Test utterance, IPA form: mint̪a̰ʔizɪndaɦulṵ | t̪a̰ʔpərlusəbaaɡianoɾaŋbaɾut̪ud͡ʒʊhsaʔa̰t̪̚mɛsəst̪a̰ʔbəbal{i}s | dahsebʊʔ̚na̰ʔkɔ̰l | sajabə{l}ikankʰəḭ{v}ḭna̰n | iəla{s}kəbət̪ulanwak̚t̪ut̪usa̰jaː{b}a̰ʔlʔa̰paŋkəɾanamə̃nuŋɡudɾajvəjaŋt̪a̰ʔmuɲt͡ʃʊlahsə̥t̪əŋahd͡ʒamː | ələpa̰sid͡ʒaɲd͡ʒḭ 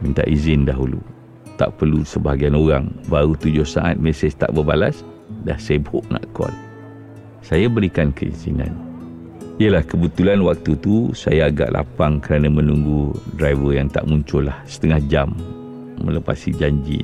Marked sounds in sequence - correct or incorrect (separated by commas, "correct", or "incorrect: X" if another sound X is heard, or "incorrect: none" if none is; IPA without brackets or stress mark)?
incorrect: a, incorrect: ɾ, incorrect: z, incorrect: h, incorrect: ɡ